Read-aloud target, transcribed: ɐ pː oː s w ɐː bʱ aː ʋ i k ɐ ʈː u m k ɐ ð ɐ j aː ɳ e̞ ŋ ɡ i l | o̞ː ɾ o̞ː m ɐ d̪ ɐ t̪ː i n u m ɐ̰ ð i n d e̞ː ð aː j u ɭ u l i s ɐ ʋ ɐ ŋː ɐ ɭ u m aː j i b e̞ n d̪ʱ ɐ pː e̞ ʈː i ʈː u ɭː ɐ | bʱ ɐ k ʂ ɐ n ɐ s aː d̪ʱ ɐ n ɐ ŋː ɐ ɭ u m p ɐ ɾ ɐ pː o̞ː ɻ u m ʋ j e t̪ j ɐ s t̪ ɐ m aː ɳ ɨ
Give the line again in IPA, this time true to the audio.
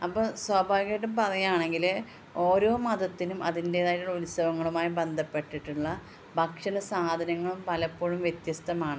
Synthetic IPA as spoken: ɐ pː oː s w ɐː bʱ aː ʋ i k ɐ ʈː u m p ɐ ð ɐ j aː ɳ e̞ ŋ ɡ i l | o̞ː ɾ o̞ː m ɐ d̪ ɐ t̪ː i n u m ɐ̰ ð i n d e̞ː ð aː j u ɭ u l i s ɐ ʋ ɐ ŋː ɐ ɭ u m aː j i b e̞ n d̪ʱ ɐ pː e̞ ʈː i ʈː u ɭː ɐ | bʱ ɐ k ʂ ɐ n ɐ s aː d̪ʱ ɐ n ɐ ŋː ɐ ɭ u m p ɐ l ɐ pː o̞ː ɻ u m ʋ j e t̪ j ɐ s t̪ ɐ m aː ɳ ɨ